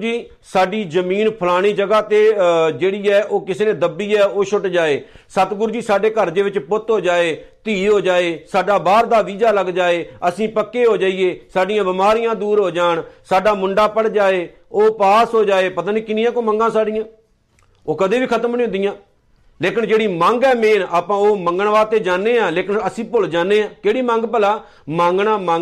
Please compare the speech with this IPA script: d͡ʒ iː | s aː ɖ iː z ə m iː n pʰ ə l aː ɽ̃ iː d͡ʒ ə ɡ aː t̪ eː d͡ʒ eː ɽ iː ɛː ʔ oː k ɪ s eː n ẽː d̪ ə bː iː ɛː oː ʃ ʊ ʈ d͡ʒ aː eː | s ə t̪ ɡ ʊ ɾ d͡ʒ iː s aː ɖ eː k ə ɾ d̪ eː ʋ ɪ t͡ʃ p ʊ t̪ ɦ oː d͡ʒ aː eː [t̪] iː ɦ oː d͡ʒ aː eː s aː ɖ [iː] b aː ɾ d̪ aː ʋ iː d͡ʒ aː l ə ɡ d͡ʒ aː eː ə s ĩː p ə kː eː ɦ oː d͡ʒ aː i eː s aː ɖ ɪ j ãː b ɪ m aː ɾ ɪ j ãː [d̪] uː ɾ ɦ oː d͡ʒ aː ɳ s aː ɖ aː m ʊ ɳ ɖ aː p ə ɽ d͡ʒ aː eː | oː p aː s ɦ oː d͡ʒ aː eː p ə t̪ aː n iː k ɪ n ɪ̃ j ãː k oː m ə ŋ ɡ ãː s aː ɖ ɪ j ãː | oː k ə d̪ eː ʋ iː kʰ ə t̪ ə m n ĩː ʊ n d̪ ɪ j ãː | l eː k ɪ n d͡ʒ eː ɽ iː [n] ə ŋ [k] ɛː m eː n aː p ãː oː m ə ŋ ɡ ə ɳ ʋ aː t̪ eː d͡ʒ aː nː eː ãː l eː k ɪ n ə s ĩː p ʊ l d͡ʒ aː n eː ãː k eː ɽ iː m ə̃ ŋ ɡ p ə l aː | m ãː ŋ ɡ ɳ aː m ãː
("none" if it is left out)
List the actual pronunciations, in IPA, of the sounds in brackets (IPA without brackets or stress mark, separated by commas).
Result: t̪, aː, d̪, m, ɡ